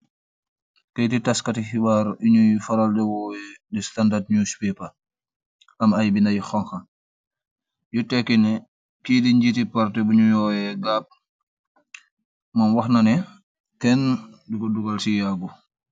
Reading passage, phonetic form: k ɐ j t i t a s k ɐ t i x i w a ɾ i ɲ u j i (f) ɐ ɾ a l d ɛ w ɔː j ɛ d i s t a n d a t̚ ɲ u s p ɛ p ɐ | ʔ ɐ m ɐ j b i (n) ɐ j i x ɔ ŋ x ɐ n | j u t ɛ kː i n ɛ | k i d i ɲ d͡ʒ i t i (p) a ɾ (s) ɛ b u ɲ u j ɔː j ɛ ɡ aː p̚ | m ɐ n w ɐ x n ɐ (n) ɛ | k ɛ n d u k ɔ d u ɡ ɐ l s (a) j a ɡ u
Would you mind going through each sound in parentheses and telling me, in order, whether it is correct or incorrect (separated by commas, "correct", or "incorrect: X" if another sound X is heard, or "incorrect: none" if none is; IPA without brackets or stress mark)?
correct, correct, correct, incorrect: t, correct, incorrect: i